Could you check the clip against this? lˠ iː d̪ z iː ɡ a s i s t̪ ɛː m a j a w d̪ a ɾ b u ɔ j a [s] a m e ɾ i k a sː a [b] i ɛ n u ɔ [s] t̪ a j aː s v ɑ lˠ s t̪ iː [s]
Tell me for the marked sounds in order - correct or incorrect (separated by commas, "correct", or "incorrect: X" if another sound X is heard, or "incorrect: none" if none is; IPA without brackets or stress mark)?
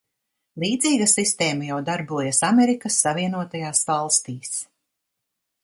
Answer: correct, incorrect: v, incorrect: none, correct